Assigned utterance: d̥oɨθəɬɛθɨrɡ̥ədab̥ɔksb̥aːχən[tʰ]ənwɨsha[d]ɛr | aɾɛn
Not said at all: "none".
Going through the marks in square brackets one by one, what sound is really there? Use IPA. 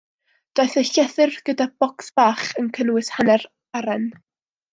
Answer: kʰ, n

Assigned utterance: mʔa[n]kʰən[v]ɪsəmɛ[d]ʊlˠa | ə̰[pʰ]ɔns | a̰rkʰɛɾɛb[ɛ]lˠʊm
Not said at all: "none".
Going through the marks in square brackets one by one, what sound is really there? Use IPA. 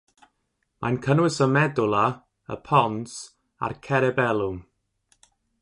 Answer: n, w, d, pʰ, ɛ

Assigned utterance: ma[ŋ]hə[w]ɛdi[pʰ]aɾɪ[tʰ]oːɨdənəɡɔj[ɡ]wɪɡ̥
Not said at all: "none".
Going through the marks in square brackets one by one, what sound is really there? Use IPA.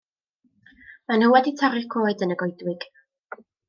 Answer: n, w, tʰ, kʰ, d

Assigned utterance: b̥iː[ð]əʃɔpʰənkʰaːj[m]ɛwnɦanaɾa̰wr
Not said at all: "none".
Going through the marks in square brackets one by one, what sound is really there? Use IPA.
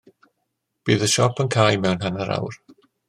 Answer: ð, m

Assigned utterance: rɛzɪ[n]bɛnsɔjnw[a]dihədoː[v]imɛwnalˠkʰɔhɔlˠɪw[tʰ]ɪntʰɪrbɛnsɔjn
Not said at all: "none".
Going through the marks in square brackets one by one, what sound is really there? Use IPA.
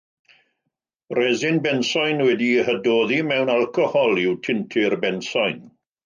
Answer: n, ɛ, ð, tʰ

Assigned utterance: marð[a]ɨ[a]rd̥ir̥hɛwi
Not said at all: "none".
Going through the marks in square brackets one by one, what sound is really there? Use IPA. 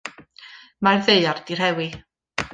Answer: e, a

